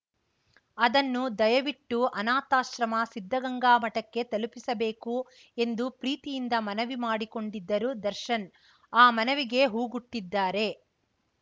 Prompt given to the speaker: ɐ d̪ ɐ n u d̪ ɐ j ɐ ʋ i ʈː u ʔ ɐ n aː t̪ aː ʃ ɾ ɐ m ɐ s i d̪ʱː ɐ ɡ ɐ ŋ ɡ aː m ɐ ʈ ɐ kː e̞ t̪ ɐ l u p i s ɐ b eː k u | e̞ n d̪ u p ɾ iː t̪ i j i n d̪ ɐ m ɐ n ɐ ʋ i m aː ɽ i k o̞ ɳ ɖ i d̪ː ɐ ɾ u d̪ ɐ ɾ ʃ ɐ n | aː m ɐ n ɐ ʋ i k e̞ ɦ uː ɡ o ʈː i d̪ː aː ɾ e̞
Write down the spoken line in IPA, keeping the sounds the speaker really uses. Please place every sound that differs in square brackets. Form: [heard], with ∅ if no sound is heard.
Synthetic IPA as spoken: ɐ d̪ ɐ [nː] u d̪ ɐ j ɐ ʋ i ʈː u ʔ ɐ n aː t̪ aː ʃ ɾ ɐ m ɐ s i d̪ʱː ɐ ɡ ɐ ŋ ɡ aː m ɐ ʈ ɐ kː e̞ t̪ ɐ l u p i s ɐ b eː k u | e̞ n d̪ u p ɾ iː t̪ i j i n d̪ ɐ m ɐ n ɐ ʋ i m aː ɽ i k o̞ ɳ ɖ i d̪ː ɐ ɾ u d̪ ɐ ɾ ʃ ɐ n | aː m ɐ n ɐ ʋ i [ɡ] e̞ ɦ uː ɡ [u] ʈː i d̪ː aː ɾ e̞